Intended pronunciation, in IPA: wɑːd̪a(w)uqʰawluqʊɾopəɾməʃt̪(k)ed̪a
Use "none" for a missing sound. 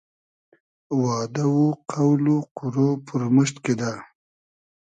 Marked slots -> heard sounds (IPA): w, k

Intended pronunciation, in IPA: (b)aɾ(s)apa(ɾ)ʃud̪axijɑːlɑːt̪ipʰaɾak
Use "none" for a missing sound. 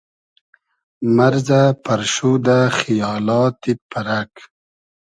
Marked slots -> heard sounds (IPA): m, z, ɾ

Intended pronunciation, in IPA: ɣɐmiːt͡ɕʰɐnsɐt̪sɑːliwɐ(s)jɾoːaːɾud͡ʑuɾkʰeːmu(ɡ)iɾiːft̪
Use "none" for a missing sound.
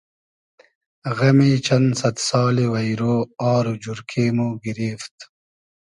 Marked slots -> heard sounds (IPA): none, ɡ

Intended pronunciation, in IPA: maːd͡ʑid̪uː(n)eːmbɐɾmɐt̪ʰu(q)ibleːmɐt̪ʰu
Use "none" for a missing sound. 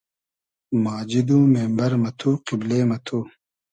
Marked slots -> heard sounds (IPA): m, q

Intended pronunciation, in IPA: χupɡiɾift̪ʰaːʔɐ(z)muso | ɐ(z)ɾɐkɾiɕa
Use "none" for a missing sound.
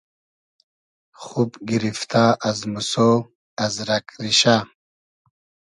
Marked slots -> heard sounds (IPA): z, z

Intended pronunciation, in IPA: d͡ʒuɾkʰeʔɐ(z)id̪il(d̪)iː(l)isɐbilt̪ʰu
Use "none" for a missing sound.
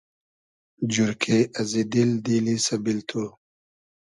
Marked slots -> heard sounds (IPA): z, d̪, l

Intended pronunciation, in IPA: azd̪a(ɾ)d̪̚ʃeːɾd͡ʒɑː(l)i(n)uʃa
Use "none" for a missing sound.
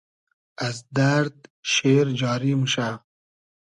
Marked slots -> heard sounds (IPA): ɾ, ɾ, m

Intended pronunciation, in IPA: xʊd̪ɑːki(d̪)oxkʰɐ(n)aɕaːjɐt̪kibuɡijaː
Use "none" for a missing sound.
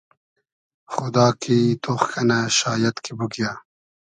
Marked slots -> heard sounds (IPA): t̪, n

